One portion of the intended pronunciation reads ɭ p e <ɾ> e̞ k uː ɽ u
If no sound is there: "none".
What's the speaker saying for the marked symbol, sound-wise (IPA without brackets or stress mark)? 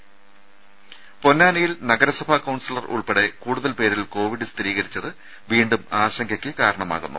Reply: ɽ